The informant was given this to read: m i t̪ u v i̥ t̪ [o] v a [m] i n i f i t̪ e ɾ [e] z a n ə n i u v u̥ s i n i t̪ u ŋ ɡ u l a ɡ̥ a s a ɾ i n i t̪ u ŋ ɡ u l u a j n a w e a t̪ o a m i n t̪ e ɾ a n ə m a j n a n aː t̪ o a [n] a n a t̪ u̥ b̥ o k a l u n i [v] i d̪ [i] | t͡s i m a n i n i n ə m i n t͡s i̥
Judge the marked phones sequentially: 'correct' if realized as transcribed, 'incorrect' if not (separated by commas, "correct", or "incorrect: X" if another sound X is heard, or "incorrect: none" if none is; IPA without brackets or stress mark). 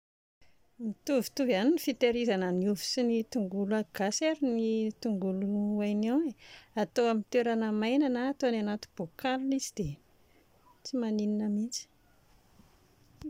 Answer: incorrect: u, incorrect: n, incorrect: i, correct, incorrect: z, incorrect: e